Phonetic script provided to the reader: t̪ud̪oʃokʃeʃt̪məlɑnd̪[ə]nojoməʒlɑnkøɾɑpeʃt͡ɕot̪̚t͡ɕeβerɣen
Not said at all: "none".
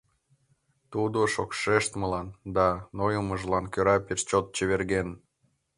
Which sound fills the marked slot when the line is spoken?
ɑ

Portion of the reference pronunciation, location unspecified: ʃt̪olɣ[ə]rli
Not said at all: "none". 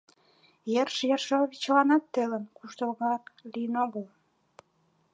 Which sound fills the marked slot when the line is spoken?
ɑ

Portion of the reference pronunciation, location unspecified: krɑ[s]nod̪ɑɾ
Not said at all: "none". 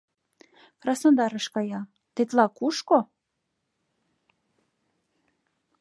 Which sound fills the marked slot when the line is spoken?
s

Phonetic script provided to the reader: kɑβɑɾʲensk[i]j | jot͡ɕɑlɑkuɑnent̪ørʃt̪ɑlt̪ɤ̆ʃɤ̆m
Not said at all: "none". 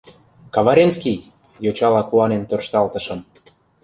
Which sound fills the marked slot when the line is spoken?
i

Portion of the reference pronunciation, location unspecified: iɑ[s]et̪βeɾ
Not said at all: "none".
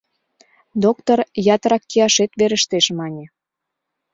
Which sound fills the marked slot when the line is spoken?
ʃ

